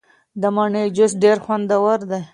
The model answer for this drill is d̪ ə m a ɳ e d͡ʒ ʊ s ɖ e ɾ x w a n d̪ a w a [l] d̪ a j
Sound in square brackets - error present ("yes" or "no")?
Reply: yes